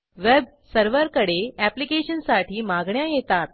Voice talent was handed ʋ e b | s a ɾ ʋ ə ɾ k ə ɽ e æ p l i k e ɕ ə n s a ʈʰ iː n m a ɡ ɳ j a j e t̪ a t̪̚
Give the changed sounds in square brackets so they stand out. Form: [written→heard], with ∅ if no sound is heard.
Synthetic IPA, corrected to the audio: ʋ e b | s [a→ə] ɾ ʋ ə ɾ k ə ɽ e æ p l i k e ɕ ə n s a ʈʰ iː [n→∅] m a ɡ ɳ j a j e t̪ a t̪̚